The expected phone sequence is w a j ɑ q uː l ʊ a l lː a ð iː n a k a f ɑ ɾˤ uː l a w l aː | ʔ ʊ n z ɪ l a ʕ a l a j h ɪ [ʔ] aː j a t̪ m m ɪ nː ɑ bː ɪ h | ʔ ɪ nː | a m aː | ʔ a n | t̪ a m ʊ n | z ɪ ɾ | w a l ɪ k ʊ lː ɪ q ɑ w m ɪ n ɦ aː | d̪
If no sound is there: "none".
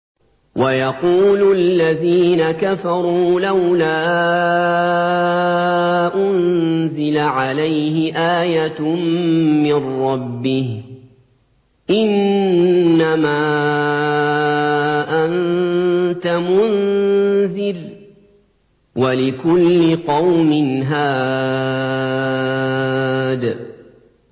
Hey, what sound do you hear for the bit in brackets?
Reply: ʔ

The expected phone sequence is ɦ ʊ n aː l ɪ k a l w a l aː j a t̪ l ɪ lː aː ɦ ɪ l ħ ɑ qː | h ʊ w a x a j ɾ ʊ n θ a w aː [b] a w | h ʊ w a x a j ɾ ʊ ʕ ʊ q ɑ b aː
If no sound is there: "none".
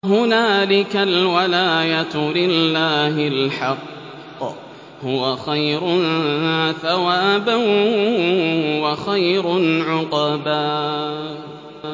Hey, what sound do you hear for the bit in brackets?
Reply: b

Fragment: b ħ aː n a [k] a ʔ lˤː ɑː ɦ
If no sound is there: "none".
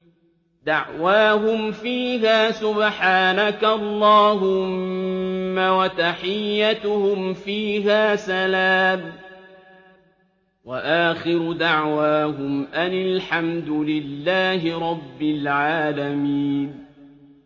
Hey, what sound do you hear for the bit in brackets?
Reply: k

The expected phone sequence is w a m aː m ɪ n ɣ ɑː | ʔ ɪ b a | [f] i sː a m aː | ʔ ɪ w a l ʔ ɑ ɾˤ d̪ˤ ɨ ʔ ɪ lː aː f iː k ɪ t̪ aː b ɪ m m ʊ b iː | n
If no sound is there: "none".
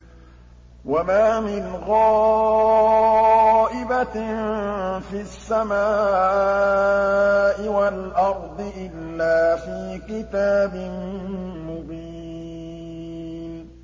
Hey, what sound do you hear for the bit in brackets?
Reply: f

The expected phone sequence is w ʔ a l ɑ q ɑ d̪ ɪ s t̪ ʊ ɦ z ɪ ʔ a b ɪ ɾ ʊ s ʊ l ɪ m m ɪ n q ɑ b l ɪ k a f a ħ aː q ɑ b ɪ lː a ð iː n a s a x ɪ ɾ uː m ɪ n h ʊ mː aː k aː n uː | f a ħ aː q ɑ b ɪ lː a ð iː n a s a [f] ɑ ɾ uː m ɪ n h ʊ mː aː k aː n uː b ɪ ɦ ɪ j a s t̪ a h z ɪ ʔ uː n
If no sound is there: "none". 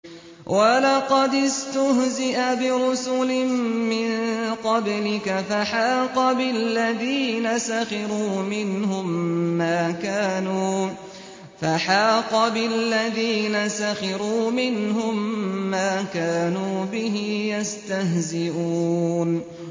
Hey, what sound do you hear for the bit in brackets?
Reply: x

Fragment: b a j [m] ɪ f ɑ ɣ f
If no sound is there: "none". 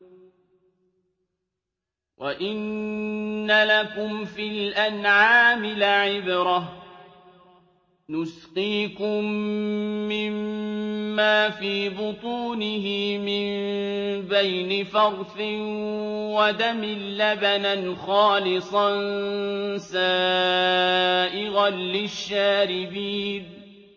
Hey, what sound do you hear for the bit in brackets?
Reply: n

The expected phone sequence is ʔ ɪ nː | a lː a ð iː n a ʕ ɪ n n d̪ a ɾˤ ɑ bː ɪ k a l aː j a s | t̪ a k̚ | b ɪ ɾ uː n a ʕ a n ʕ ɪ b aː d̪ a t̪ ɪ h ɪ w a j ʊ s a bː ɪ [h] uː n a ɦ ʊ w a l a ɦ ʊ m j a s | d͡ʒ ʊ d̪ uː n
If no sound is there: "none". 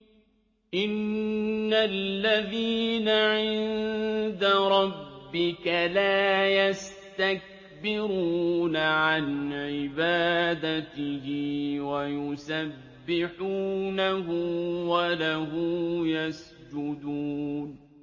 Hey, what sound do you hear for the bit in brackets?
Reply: ħ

